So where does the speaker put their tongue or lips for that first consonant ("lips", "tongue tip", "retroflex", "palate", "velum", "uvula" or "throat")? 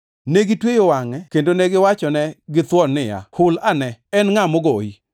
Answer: tongue tip